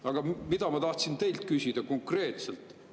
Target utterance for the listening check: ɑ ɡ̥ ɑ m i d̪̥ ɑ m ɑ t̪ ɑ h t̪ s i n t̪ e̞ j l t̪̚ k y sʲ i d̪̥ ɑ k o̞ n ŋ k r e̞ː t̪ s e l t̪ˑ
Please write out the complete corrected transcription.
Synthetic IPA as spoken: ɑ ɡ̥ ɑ m i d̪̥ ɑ m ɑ t̪ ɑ h t̪ s i n t̪ e̞ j l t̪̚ k y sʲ i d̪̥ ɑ k o̞ ŋ k r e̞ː t̪ s e l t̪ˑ

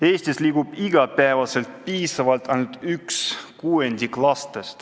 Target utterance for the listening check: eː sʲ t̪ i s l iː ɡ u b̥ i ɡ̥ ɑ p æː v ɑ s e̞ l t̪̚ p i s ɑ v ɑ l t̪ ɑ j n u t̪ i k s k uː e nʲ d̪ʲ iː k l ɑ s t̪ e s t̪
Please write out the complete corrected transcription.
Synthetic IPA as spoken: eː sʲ t̪ i s l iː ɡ u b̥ i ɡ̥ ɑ p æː v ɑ s e̞ l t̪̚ p iː s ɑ v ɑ l t̪ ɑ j n u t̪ y k s k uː e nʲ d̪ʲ i k l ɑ s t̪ e s t̪

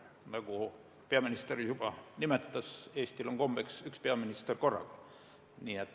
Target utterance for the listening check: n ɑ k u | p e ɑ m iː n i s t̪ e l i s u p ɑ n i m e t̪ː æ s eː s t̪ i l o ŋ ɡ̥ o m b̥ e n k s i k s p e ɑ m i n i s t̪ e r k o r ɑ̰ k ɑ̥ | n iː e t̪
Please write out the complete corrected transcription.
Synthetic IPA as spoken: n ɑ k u | p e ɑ m i n i s t̪ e r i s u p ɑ n i m e t̪ː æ s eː s t̪ i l o ŋ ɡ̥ o m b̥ e k s y k s p e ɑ m i n i s t̪ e r k o r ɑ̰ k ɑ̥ | n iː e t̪

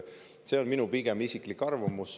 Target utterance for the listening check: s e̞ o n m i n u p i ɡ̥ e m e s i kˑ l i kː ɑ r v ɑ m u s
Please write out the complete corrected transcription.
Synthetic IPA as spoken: s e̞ o n m i n u p i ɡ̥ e m i s i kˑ l i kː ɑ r v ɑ m u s

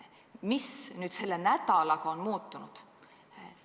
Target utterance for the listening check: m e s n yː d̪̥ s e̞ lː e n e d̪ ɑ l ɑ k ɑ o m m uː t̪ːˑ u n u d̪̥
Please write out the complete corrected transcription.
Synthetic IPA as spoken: m i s n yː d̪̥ s e̞ lː e n æ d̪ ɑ l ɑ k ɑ o n m uː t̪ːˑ u n u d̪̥

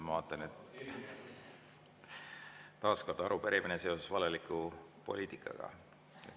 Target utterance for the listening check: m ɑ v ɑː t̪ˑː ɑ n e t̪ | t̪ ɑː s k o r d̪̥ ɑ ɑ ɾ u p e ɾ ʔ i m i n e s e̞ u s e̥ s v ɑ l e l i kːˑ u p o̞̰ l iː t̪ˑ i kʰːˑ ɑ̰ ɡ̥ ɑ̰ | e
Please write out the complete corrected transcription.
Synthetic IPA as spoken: m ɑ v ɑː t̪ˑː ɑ n e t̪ | t̪ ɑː s k o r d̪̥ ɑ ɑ ɾ u p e ɾ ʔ i m i n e s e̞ o s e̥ s v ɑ l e l i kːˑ u p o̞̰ l iː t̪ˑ i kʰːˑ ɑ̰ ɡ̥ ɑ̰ | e

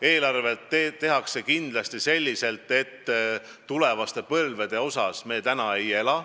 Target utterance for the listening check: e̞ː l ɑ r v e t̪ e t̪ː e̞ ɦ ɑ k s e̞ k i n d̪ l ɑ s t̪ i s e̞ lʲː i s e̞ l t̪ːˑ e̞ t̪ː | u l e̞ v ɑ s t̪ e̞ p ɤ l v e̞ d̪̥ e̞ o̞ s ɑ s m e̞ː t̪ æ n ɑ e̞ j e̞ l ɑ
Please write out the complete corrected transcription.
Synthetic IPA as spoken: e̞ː l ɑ r v e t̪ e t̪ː e̞ ɦ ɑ k s e̞ k i n d̪ l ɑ s t̪ i s e̞ lʲː i s e̞ l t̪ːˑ e̞ t̪ː | u l e̞ v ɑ s t̪ e̞ p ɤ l v e̞ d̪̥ e̞ o̞ s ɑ s m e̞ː t̪ æ n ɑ e̞ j e̞ l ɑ

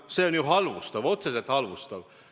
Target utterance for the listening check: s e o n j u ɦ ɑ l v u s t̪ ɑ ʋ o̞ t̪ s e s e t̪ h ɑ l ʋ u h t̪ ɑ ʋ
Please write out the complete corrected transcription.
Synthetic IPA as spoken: s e o n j u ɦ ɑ l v u s t̪ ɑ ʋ o̞ t̪ s e s e t̪ h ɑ l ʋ u s t̪ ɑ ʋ

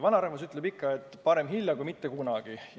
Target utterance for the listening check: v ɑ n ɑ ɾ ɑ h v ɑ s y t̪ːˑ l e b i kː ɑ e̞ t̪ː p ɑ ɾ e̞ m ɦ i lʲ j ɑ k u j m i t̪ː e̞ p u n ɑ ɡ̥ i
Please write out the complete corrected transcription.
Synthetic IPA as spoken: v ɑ n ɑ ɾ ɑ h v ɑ s y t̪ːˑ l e b i kː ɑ e̞ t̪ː p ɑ ɾ e̞ m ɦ i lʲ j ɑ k u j m i t̪ː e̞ k u n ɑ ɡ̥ i

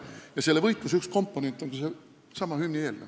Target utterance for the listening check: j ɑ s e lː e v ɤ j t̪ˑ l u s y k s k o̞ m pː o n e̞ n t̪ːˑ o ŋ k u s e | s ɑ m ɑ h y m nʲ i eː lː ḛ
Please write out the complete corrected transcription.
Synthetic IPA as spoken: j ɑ s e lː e v ɤ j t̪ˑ l u s y k s k o̞ m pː o n e̞ n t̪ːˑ o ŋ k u s e | s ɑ m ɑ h y m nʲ i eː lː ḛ

